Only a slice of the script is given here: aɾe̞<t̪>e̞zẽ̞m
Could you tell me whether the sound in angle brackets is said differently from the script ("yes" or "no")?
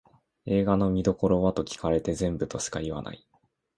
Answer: no